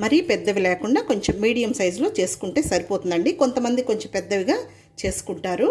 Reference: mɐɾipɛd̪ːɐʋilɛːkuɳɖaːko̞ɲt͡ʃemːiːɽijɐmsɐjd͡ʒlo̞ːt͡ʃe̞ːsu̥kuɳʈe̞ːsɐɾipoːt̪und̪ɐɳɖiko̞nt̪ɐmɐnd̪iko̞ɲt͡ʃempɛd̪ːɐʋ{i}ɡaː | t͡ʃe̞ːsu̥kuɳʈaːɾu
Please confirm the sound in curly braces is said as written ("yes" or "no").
yes